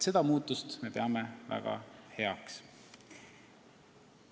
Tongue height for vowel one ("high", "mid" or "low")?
mid